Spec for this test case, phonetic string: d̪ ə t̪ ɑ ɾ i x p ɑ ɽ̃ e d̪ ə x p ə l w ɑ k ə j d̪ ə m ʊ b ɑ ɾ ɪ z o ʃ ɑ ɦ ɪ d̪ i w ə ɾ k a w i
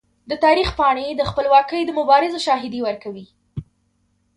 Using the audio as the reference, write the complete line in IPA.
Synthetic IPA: d̪ ə t̪ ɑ ɾ i x p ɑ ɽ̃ e d̪ ə x p ə l w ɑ k ə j d̪ ə m ʊ b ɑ ɾ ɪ z o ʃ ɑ ɦ ɪ d̪ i w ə ɾ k a w i